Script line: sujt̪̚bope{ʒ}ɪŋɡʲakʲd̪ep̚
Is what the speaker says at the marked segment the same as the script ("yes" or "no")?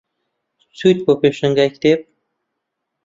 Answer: no